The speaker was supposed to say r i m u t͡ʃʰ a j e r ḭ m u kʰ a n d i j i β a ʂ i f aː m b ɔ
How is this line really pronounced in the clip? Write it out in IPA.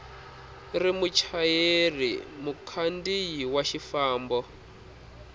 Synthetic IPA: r i m u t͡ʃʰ a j e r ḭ m u kʰ a n d i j i w a ʃ i f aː m b ɔ